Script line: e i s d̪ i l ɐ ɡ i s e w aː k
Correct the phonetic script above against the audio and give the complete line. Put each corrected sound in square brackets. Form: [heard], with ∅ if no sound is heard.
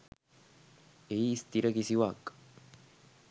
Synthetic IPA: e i s [t̪] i [ɾ] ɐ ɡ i s [i] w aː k